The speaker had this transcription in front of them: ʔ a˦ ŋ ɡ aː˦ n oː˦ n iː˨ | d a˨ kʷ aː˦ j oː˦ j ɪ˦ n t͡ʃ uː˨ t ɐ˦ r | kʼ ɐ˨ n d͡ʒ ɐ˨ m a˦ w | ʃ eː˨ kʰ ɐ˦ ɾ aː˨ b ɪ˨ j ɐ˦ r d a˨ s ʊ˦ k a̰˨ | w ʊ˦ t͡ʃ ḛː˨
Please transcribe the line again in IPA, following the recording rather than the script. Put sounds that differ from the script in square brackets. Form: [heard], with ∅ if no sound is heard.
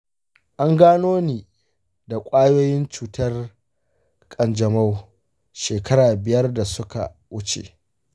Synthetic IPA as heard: ʔ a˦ ŋ ɡ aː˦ n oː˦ n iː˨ | d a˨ [kʷʼ] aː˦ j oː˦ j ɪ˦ n t͡ʃ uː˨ t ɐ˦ r | kʼ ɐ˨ n d͡ʒ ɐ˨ m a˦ w | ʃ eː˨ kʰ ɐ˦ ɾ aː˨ b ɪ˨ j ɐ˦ r d a˨ s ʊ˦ k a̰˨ | w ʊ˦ t͡ʃ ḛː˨

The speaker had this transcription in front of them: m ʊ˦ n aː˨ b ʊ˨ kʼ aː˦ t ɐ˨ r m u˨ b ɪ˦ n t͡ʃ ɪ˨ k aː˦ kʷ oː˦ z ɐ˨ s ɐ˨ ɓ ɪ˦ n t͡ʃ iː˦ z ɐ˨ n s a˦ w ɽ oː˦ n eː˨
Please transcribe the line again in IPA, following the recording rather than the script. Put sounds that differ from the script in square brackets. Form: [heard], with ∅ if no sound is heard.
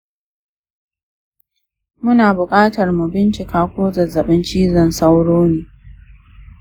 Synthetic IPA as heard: m ʊ˦ n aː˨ b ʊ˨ kʼ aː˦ t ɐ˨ r m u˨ b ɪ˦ n t͡ʃ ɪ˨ k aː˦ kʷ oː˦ z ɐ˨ [z] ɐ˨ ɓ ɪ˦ n t͡ʃ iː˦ z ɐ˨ n s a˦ w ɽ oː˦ n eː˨

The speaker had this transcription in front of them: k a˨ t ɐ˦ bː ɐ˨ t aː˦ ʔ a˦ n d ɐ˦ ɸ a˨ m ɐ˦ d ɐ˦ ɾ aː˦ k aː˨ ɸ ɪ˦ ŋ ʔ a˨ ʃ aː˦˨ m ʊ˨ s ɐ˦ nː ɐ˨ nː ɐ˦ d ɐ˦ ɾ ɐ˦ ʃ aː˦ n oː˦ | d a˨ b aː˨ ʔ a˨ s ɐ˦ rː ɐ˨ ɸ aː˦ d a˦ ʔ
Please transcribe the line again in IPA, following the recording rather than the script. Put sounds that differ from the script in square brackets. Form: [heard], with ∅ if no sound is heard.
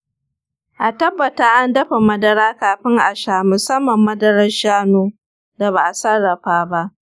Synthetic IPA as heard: [ʔ] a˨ t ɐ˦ bː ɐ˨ t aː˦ ʔ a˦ n d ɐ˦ ɸ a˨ m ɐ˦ d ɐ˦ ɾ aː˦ k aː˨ ɸ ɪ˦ ŋ ʔ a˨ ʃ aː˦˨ m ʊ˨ s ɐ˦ [mː] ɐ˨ [mː] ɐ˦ d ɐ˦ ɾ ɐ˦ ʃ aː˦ n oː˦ | d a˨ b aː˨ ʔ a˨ s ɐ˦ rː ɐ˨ ɸ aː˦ [b] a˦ ʔ

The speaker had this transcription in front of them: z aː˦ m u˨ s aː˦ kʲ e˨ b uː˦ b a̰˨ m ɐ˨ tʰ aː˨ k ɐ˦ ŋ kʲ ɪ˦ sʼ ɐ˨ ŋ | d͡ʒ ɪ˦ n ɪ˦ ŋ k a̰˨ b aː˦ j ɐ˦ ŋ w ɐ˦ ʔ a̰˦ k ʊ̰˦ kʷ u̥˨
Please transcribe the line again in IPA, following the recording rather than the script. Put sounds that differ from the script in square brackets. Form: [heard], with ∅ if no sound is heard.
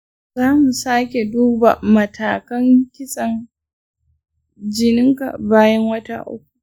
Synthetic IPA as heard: z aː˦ m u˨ s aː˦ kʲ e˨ [d] uː˦ b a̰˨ m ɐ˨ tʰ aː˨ k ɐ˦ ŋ kʲ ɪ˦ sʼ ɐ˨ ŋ | d͡ʒ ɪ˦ n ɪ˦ ŋ k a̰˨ b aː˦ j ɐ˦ ŋ w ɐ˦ [t] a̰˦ [ʔ] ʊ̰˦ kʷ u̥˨

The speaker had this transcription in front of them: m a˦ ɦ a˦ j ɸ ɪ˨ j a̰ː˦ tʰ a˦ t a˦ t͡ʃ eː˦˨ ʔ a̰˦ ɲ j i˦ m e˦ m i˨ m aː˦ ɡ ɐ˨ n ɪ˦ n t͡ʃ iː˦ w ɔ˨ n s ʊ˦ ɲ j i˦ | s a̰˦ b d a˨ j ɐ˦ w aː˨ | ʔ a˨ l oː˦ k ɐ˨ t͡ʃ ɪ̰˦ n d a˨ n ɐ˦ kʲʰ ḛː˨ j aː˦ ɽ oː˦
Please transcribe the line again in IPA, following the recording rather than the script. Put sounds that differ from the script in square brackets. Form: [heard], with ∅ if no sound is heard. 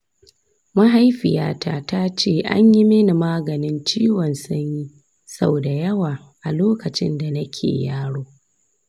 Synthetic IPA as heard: m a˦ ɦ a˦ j ɸ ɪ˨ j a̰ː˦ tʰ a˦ t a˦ t͡ʃ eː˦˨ ʔ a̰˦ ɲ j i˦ m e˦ [n] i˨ m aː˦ ɡ ɐ˨ n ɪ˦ n t͡ʃ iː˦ w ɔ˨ n s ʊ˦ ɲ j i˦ | s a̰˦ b d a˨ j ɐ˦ w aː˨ | ʔ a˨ l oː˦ k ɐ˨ t͡ʃ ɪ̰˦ n d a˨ n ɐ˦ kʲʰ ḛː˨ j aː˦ ɽ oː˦

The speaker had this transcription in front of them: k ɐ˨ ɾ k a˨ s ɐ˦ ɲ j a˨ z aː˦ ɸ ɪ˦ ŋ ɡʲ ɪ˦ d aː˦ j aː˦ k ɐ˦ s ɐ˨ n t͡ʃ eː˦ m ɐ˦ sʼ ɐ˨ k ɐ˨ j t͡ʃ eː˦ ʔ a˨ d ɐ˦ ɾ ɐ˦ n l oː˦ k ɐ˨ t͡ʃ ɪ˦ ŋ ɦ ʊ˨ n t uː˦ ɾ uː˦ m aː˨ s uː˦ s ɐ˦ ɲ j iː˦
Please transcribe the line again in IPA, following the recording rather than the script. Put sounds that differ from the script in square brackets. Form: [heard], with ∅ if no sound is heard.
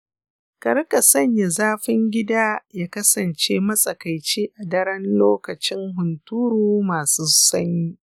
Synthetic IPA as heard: k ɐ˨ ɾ k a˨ s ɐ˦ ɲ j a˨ z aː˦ ɸ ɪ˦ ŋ ɡʲ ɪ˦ d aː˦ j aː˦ k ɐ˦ s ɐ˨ n t͡ʃ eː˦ m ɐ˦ sʼ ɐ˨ k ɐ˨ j t͡ʃ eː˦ ʔ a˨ d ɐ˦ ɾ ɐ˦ n l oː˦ k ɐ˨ t͡ʃ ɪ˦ ŋ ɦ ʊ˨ n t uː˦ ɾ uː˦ m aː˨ s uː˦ s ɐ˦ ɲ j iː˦

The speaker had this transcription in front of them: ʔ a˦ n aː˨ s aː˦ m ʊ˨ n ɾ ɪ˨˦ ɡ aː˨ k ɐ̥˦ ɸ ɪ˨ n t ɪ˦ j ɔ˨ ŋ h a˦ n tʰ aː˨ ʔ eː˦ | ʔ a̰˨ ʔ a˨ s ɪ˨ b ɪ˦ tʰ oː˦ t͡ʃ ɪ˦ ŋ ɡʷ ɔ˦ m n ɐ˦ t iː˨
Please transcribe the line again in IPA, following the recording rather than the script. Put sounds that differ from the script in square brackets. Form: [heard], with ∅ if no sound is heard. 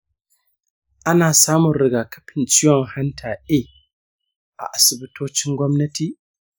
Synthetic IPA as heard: ʔ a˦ n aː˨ s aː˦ m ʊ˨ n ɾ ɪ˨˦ ɡ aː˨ k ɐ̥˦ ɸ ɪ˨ n [t͡ʃ] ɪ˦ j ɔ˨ ŋ h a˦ n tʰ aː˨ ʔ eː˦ | ʔ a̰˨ ʔ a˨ s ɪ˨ b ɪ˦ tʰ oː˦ t͡ʃ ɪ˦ ŋ ɡʷ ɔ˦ m n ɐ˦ t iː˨

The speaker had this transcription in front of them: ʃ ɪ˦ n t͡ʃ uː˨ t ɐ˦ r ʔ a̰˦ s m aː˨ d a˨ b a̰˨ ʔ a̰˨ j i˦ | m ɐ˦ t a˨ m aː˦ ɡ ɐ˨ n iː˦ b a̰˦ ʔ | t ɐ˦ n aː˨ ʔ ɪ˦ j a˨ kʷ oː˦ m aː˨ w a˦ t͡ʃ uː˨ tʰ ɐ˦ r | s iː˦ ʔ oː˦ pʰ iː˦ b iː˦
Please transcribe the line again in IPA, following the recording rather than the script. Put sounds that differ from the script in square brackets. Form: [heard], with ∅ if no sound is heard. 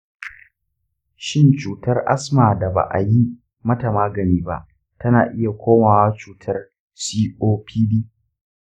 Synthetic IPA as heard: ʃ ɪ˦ n t͡ʃ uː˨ t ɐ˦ r ʔ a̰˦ s m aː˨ d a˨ b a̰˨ ʔ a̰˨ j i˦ | m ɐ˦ t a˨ m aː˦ ɡ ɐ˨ n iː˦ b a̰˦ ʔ | t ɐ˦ n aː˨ ʔ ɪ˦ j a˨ kʷ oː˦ m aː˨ w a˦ t͡ʃ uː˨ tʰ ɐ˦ r | s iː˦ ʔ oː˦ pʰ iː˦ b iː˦

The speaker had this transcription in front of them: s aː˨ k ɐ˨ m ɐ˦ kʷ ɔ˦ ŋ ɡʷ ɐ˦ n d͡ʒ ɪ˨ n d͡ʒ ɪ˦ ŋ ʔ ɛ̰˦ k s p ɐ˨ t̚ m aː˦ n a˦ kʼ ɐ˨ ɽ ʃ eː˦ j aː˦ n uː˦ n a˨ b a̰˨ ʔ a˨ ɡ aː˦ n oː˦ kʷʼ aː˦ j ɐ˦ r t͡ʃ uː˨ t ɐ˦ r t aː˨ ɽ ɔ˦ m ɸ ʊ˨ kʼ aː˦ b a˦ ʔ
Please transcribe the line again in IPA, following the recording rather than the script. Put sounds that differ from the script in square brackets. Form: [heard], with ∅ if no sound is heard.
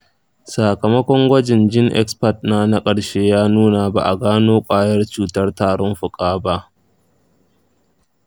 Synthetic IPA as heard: s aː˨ k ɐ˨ m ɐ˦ kʷ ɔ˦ ŋ ɡʷ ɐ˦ [∅] d͡ʒ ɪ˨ n d͡ʒ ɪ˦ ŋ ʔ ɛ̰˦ k s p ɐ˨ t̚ [n] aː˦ n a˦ kʼ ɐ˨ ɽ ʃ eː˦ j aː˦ n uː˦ n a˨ b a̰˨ ʔ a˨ ɡ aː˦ n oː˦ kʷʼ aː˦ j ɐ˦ r t͡ʃ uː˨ t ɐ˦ r t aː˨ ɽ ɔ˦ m ɸ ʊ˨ kʼ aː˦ b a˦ ʔ

